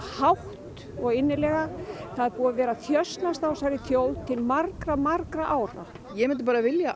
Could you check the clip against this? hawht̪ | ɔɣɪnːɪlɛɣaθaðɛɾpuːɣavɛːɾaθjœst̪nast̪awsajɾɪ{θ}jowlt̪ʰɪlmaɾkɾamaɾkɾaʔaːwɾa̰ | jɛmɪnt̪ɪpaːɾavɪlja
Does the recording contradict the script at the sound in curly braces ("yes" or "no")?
no